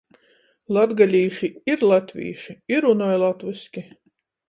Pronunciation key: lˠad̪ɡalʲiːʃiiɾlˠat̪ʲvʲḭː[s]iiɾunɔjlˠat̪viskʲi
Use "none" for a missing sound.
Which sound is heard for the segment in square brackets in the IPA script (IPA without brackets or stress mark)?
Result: ʃ